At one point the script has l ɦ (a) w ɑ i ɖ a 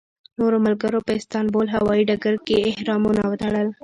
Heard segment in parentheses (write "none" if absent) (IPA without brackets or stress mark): a